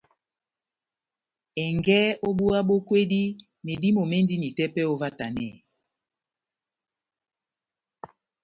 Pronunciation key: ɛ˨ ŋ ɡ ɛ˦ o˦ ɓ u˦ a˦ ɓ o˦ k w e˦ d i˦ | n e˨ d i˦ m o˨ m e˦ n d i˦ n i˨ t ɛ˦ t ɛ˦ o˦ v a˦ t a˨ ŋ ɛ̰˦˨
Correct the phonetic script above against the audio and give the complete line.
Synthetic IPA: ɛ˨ ŋ ɡ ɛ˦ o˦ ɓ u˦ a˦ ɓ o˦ k w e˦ d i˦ | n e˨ d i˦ m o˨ m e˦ n d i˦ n i˨ t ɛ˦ p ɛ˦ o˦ v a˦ t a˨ n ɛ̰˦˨